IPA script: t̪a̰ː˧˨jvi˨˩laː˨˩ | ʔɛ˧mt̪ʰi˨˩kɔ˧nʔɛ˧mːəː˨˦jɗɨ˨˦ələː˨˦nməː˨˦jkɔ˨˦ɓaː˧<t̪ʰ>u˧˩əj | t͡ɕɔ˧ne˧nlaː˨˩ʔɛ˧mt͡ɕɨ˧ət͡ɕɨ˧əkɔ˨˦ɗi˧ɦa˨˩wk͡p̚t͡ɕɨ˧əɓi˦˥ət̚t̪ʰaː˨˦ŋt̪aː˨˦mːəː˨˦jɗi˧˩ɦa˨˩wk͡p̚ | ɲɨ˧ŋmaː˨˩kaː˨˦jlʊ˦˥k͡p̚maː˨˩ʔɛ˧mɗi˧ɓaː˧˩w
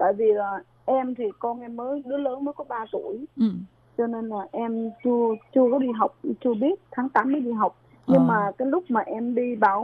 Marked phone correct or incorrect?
incorrect